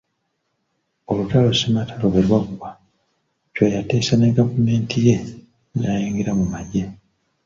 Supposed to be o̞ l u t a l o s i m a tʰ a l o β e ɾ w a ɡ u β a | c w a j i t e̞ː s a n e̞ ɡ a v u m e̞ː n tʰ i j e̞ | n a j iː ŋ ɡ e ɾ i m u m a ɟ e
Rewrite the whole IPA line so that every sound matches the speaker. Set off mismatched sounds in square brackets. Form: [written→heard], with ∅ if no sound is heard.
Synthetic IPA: o̞ l u t a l o s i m a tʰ a l o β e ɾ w a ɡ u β a | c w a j [i→a] t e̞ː s a n e̞ ɡ a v u m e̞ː n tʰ i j e̞ | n a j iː ŋ ɡ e ɾ [i→a] m u m a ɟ e